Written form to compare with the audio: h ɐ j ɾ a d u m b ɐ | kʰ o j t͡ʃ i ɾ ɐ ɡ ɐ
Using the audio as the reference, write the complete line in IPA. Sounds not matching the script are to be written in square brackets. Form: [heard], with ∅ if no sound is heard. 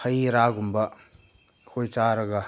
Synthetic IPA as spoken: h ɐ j ɾ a [ɡ] u m b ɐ | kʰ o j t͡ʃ [a] ɾ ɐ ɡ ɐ